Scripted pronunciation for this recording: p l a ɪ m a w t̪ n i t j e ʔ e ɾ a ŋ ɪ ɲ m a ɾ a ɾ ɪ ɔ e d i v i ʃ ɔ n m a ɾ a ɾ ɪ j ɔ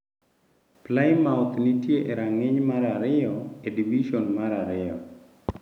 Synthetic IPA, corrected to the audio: p l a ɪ m a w t̪ n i t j e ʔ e ɾ a ŋ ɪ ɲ m a ɾ a ɾ ɪ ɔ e d i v i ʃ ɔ n m a ɾ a ɾ ɪ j ɔ